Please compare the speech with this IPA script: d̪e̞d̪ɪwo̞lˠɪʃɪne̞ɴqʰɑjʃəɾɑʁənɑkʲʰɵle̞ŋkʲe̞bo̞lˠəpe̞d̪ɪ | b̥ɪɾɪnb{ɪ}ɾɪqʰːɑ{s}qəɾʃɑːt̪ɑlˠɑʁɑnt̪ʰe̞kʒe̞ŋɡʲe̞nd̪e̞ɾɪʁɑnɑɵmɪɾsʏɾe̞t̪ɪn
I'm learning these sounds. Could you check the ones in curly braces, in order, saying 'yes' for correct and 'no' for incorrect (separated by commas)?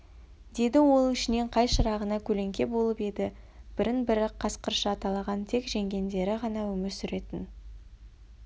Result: yes, yes